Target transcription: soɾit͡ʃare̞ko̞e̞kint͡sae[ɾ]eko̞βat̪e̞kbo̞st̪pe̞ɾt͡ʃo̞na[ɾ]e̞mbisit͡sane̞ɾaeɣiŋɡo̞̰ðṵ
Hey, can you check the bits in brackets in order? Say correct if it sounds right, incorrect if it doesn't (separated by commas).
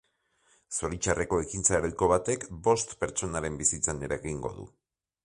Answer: correct, correct